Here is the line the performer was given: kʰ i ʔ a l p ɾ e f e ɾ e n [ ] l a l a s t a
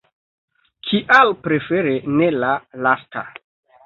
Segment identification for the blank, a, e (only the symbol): e